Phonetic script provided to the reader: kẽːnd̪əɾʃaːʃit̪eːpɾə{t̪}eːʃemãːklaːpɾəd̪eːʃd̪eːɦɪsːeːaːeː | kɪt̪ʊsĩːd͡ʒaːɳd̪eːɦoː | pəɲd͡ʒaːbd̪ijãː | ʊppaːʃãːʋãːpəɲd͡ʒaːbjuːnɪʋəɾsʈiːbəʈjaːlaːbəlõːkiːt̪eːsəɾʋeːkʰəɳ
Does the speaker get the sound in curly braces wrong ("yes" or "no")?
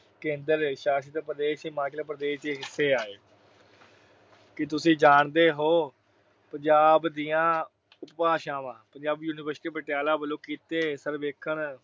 yes